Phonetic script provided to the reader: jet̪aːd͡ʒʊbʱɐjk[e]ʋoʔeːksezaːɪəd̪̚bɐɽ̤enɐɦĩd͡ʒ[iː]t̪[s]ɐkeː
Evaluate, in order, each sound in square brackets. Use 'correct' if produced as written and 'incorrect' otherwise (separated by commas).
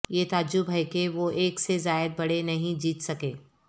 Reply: correct, correct, correct